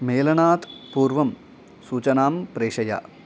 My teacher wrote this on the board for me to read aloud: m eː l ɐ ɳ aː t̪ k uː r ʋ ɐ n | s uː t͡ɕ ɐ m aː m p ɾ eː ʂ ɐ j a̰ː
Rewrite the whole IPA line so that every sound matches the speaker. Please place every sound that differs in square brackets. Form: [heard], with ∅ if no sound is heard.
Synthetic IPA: m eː l ɐ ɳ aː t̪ [p] uː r ʋ ɐ [m] | s uː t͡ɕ ɐ [n] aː m p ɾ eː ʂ ɐ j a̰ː

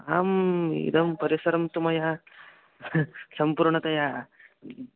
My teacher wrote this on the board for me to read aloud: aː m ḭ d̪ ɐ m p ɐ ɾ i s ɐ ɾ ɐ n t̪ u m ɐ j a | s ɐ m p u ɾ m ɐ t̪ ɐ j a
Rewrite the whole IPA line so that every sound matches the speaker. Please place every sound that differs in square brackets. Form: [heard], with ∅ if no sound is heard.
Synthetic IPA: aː m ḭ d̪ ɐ m p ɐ ɾ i s ɐ ɾ ɐ [m] t̪ u m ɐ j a | s ɐ m p u ɾ [ɳ] ɐ t̪ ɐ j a

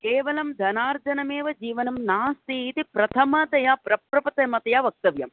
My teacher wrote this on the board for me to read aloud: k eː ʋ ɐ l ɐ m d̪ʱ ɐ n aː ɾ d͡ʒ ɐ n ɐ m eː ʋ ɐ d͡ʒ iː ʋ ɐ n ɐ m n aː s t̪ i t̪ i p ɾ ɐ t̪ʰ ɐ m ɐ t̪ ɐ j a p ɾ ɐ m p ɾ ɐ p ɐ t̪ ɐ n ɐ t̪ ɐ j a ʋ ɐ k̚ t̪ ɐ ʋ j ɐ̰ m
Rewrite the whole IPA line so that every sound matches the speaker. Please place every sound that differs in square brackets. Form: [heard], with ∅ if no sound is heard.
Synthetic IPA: k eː ʋ ɐ l ɐ m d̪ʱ ɐ n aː ɾ d͡ʒ ɐ n ɐ m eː ʋ ɐ d͡ʒ iː ʋ ɐ n ɐ m n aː s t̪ i t̪ i p ɾ ɐ t̪ʰ ɐ m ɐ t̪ ɐ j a p ɾ ɐ [∅] p ɾ ɐ p ɐ t̪ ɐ [m] ɐ t̪ ɐ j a ʋ ɐ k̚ t̪ ɐ ʋ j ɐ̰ m

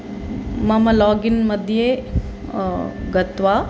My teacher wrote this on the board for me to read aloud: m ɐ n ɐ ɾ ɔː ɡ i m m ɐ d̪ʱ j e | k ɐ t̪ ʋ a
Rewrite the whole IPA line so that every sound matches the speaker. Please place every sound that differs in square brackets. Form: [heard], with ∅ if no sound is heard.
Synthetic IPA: m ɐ [m] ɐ [l] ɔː ɡ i [n] m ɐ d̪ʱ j e | [ɡ] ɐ t̪ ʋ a

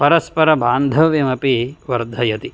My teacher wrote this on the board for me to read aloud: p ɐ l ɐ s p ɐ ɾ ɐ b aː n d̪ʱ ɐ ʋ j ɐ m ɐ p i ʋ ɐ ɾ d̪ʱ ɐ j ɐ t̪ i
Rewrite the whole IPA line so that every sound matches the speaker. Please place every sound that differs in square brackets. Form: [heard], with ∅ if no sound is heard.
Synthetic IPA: p ɐ [ɾ] ɐ s p ɐ ɾ ɐ b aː n d̪ʱ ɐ ʋ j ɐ m ɐ p i ʋ ɐ ɾ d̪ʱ ɐ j ɐ t̪ i

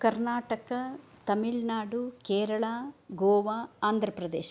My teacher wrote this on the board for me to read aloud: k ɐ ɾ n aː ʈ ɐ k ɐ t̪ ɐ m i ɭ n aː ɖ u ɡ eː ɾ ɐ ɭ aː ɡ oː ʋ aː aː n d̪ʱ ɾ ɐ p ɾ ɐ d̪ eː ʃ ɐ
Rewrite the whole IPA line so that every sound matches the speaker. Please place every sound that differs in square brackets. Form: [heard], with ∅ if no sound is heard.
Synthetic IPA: k ɐ ɾ n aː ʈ ɐ k ɐ t̪ ɐ m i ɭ n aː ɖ u [k] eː ɾ ɐ ɭ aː ɡ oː ʋ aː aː n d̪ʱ ɾ ɐ p ɾ ɐ d̪ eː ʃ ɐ

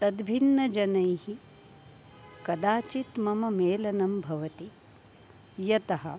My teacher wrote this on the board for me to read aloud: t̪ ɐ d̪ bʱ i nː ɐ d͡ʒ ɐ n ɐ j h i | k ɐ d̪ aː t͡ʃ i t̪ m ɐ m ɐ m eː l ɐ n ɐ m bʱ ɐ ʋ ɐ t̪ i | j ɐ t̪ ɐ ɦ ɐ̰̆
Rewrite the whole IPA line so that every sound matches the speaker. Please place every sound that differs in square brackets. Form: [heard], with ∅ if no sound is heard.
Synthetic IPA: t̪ ɐ d̪ bʱ i nː ɐ d͡ʒ ɐ n ɐ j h i | k ɐ d̪ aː t͡ʃ i t̪ m ɐ m ɐ m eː l ɐ n ɐ m bʱ ɐ ʋ ɐ t̪ i | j ɐ t̪ ɐ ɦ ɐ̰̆

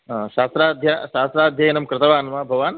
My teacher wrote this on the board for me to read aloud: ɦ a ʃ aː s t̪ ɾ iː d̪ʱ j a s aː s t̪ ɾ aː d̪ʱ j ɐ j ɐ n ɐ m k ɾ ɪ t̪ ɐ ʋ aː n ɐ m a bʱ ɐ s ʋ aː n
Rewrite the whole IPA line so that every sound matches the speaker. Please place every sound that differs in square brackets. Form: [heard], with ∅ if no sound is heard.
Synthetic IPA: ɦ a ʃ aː s t̪ ɾ [aː] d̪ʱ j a [ʃ] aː s t̪ ɾ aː d̪ʱ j ɐ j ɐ n ɐ m k ɾ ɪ t̪ ɐ ʋ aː n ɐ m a bʱ ɐ [∅] ʋ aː n

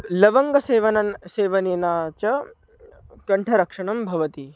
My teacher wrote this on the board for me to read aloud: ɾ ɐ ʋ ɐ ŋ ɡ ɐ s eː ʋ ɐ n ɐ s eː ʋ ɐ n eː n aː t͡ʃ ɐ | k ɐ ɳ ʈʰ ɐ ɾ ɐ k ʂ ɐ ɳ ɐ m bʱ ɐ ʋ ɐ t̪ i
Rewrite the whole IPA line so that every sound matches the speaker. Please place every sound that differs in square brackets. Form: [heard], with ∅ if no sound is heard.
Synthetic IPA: [l] ɐ ʋ ɐ ŋ ɡ ɐ s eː ʋ ɐ n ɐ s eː ʋ ɐ n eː n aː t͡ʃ ɐ | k ɐ ɳ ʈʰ ɐ ɾ ɐ k ʂ ɐ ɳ ɐ m bʱ ɐ ʋ ɐ t̪ i

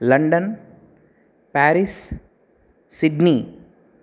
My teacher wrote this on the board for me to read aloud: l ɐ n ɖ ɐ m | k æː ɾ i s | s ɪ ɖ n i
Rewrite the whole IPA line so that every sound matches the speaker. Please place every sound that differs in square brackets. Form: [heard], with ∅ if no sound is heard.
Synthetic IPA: l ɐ [ɳ] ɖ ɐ [n] | [p] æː ɾ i s | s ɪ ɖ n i

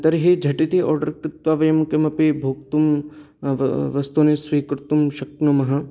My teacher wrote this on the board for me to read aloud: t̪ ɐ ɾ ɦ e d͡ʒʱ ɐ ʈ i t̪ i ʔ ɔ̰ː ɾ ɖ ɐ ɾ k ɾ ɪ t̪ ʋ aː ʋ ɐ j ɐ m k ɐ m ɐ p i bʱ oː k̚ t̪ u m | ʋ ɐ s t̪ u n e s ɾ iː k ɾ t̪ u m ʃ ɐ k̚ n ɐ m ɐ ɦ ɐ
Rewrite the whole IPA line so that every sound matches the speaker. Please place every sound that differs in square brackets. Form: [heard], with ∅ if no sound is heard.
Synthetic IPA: t̪ ɐ ɾ ɦ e d͡ʒʱ ɐ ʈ i t̪ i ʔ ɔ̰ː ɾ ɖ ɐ ɾ k ɾ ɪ t̪ ʋ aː ʋ ɐ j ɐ m k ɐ m ɐ p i bʱ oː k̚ t̪ u m | ʋ ɐ s t̪ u n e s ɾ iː k ɾ t̪ u m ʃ ɐ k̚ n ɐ m ɐ ɦ ɐ

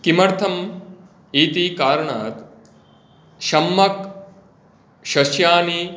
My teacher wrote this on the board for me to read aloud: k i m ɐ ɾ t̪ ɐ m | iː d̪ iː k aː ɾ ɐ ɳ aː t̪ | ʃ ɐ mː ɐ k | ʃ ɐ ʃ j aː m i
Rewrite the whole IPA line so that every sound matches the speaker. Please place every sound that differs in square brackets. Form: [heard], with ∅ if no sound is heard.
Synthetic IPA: k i m ɐ ɾ [t̪ʰ] ɐ m | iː [t̪] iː k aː ɾ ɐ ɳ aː t̪ | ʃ ɐ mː ɐ k | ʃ ɐ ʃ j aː [n] i

